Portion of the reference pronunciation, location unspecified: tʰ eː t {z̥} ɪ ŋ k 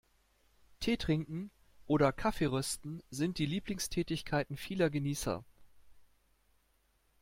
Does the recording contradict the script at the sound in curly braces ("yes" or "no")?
yes